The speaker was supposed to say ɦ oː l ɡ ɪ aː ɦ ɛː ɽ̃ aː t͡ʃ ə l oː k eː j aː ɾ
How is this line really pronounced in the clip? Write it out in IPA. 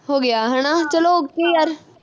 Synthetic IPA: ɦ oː ɡ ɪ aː ɦ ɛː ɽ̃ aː t͡ʃ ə l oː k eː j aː ɾ